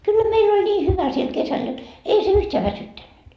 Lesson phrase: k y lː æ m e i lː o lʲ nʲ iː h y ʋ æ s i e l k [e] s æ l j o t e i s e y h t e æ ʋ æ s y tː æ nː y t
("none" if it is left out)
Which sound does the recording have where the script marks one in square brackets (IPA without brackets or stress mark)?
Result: e